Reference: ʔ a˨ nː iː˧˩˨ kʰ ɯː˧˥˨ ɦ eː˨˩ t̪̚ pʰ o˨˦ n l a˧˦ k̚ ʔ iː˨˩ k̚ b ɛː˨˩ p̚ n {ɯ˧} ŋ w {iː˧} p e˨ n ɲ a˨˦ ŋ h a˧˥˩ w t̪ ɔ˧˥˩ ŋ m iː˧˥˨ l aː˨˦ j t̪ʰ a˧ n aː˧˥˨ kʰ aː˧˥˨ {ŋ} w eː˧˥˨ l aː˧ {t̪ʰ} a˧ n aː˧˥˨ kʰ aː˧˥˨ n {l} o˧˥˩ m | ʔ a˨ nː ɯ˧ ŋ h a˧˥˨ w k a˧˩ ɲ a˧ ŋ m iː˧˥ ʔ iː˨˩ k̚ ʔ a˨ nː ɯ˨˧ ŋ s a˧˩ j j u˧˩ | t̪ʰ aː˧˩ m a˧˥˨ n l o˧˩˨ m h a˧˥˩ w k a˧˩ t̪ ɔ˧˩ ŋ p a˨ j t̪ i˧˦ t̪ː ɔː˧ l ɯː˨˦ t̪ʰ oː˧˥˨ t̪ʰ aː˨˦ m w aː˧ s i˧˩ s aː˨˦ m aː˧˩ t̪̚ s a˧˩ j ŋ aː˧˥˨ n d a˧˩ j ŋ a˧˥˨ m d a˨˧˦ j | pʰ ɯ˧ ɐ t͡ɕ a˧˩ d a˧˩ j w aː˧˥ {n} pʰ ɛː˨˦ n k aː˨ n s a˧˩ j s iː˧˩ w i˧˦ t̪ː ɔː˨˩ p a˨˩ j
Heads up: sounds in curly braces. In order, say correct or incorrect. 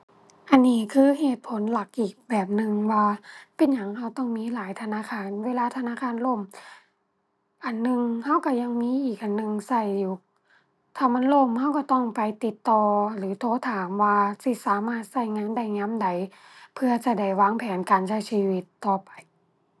correct, incorrect, incorrect, correct, correct, incorrect

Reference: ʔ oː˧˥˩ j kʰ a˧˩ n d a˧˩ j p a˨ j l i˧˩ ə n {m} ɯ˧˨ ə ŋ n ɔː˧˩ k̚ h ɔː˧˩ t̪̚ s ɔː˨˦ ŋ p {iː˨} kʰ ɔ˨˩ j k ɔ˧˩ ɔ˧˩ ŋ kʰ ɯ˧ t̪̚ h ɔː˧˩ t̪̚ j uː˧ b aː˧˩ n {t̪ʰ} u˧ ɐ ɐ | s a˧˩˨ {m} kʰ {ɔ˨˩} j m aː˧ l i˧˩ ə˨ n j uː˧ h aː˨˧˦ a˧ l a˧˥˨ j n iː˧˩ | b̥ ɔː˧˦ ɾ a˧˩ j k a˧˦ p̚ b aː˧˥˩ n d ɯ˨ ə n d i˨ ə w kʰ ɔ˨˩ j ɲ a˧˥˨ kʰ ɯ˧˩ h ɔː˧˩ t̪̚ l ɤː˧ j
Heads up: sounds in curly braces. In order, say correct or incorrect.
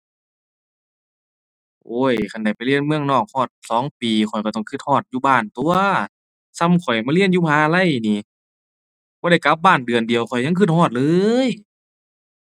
correct, correct, incorrect, correct, correct

